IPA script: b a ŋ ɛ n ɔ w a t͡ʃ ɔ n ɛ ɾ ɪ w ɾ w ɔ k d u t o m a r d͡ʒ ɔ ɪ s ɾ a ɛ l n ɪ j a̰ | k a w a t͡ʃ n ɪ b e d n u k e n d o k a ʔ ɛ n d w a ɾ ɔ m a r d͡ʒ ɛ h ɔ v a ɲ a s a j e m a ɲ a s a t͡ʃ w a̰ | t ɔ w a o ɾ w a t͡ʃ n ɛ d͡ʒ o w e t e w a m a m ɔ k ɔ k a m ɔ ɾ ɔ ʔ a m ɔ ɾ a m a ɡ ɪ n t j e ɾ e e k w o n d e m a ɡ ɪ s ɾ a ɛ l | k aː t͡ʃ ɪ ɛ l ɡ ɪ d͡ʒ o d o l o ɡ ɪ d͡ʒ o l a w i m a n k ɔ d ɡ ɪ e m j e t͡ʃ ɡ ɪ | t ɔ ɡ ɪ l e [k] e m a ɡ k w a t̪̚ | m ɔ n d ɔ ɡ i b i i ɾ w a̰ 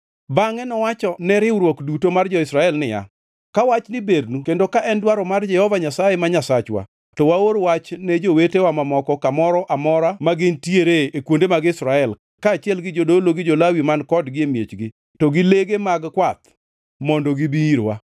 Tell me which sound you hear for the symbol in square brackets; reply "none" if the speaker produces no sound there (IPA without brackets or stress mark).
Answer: ɡ